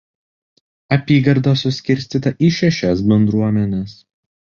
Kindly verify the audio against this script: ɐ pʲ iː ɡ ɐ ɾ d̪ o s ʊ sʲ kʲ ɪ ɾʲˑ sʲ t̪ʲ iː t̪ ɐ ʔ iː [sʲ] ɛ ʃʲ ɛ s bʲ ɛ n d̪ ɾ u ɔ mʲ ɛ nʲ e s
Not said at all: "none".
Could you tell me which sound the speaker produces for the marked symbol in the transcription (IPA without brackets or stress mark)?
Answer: ʃʲ